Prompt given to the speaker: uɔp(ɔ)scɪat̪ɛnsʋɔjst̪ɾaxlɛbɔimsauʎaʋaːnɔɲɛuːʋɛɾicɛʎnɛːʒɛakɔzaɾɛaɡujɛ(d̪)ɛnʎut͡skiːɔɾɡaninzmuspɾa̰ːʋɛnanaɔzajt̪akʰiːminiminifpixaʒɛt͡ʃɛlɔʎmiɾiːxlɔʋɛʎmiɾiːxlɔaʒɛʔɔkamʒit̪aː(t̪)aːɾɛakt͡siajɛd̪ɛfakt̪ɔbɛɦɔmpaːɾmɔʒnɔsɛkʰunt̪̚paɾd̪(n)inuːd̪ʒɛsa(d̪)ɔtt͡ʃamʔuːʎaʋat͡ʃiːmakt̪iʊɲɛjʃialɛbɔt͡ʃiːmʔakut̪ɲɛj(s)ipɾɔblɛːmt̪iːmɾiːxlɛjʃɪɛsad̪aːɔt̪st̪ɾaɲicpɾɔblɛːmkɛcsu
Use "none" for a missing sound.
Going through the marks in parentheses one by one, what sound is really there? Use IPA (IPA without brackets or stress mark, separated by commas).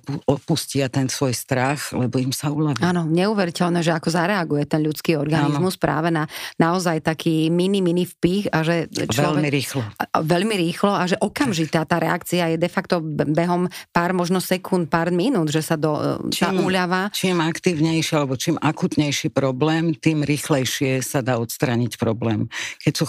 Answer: u, t̪, t̪, m, d̪, ʃ